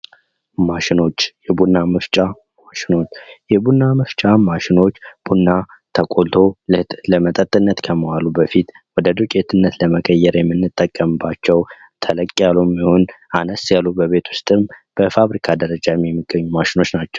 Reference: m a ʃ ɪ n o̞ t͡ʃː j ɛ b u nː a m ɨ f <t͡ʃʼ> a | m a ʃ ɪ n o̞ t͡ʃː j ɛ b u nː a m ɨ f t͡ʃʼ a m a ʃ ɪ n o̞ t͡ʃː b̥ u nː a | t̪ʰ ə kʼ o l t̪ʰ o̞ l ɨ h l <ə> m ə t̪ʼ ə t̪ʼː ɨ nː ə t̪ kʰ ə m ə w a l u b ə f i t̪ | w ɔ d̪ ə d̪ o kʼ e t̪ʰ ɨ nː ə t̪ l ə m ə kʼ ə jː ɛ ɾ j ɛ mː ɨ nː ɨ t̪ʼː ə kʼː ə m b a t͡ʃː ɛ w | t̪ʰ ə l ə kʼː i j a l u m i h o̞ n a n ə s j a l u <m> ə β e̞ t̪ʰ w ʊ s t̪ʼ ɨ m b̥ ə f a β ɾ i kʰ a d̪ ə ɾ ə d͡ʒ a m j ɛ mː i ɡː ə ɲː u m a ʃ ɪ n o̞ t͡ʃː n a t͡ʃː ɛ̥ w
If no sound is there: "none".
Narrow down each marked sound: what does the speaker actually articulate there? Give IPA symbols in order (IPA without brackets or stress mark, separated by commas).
t͡ʃʼ, ə, b